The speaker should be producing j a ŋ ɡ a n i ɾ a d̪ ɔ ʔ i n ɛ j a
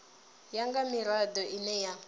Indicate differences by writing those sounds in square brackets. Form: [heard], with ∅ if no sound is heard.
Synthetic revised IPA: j a ŋ ɡ a [m] i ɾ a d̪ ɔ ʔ i n ɛ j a